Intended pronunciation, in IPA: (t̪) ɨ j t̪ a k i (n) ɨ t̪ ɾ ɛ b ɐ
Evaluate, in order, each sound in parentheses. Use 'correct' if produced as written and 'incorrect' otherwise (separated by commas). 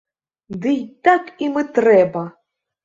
incorrect, incorrect